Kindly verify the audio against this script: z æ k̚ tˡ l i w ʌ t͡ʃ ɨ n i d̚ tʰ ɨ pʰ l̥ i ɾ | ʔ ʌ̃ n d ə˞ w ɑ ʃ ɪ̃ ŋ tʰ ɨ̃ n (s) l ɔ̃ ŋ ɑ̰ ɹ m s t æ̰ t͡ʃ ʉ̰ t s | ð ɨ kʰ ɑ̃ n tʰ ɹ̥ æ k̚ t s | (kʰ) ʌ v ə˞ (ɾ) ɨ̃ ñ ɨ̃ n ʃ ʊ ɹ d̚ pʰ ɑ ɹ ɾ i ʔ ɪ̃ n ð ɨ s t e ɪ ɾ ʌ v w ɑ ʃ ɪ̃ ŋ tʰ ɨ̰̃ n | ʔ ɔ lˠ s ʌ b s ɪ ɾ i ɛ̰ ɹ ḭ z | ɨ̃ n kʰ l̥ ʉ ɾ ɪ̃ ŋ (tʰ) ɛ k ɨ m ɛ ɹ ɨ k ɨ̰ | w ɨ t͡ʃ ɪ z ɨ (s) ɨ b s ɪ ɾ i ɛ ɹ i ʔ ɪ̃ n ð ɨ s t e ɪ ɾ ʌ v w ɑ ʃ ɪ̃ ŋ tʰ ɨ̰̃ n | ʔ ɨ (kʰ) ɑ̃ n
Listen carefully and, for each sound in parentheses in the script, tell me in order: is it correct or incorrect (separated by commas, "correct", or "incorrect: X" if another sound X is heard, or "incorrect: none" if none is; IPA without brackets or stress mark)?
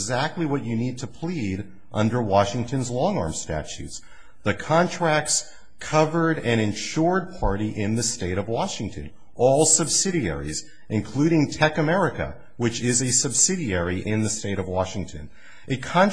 incorrect: z, correct, correct, correct, correct, correct